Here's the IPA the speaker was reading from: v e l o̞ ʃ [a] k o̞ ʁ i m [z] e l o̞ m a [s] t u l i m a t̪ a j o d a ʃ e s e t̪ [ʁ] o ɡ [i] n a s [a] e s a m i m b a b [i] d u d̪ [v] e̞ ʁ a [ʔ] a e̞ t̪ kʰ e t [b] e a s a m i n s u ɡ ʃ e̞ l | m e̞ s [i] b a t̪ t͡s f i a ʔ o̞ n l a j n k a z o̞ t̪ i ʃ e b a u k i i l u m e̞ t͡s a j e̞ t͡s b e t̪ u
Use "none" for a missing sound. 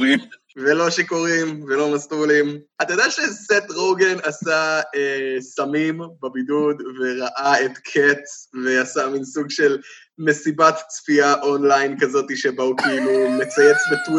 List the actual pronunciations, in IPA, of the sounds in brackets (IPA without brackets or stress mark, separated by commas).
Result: e, v, s, ʁ, e, a, i, v, ʔ, v, i